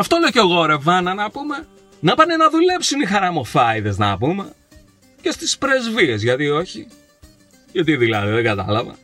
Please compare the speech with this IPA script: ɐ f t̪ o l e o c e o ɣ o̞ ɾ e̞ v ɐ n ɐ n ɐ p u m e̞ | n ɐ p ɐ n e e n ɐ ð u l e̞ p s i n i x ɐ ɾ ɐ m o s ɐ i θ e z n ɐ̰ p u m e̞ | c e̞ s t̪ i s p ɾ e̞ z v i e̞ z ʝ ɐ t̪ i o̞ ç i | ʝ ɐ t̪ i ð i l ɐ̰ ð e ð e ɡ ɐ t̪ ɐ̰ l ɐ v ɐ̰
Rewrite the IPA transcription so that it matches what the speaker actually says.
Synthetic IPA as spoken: ɐ f t̪ o l e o c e o ɣ o̞ ɾ e̞ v ɐ n ɐ n ɐ p u m e̞ | n ɐ p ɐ n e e n ɐ ð u l e̞ p s i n i x ɐ ɾ ɐ m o f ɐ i ð e z n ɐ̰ p u m e̞ | c e̞ s t̪ i s p ɾ e̞ z v i e̞ z ʝ ɐ t̪ i o̞ ç i | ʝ ɐ t̪ i ð i l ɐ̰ ð i ð e ɡ ɐ t̪ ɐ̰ l ɐ v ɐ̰